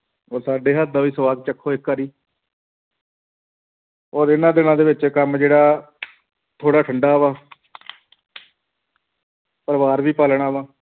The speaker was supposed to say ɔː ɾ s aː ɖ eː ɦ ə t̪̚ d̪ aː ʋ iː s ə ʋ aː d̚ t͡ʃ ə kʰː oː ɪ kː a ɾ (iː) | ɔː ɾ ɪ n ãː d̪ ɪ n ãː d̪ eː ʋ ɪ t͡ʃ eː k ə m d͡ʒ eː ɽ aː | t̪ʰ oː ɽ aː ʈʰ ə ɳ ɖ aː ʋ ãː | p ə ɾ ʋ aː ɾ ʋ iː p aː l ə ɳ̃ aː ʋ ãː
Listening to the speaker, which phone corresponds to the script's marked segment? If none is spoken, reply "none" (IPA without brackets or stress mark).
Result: iː